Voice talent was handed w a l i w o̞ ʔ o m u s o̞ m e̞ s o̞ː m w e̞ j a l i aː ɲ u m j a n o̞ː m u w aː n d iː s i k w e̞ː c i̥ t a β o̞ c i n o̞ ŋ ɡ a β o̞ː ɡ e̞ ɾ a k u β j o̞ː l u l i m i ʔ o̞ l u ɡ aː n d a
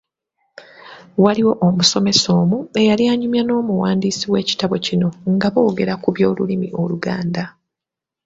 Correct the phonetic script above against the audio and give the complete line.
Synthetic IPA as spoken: w a l i w o̞ ʔ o m u s o̞ m e̞ s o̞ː m u e̞ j a l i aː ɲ u m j a n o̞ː m u w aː n d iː s i w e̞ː c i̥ t a β o̞ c i n o̞ ŋ ɡ a β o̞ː ɡ e̞ ɾ a k u β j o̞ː l u l i m i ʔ o̞ l u ɡ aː n d a

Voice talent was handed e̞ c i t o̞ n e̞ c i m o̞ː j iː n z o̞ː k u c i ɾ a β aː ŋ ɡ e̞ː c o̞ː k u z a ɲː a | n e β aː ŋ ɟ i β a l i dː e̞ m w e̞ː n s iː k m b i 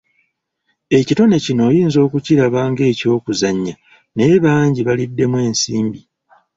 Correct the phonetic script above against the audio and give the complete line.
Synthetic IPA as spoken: e̞ c i t o̞ n e̞ c i n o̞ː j iː n z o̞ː k u c i ɾ a β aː ŋ ɡ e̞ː c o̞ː k u z a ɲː a | n e β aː ɲ ɟ i β a l i dː e̞ m w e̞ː n s iː m b i

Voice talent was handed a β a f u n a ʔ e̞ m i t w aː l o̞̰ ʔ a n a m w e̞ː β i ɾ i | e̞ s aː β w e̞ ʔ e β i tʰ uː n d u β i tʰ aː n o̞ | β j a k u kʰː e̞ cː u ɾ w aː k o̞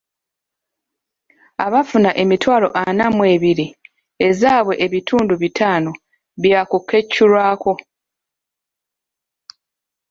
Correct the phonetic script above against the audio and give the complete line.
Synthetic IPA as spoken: a β a f u n a ʔ e̞ m i t w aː l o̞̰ ʔ a n a m w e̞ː β i ɾ i | e̞ z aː β w e̞ ʔ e β i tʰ uː n d u β i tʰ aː n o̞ | β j a k u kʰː e̞ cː u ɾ w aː k o̞

